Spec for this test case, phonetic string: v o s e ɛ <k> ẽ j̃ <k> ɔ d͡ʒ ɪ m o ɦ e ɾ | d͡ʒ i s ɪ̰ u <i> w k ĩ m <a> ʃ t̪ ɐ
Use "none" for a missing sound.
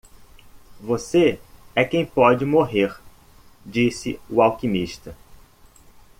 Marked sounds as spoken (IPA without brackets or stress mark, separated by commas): k, p, a, i